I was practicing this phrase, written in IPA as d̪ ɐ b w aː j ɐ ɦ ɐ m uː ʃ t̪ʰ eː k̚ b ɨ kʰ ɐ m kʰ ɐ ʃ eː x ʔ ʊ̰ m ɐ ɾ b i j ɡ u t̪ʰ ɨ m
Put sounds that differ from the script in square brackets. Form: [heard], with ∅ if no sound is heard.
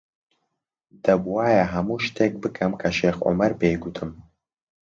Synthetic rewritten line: d̪ ɐ b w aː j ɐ ɦ ɐ m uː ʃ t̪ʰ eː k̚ b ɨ kʰ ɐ m kʰ ɐ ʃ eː x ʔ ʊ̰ m ɐ ɾ b [e] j ɡ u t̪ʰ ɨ m